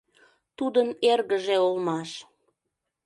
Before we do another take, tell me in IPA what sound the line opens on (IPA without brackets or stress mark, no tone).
t̪